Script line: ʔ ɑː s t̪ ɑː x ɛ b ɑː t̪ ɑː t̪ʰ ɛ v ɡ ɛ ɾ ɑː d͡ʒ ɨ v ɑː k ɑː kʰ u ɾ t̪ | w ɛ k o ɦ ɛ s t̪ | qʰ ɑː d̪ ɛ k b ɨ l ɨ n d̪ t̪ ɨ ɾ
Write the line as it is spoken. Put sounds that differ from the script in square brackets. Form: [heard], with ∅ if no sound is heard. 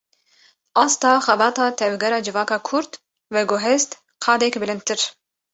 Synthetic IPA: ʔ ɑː s t̪ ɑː x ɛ b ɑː t̪ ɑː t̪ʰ ɛ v ɡ ɛ ɾ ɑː d͡ʒ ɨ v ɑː k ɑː kʰ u ɾ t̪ | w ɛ [ɡ] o ɦ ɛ s t̪ | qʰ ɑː d̪ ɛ k b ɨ l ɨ n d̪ t̪ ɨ ɾ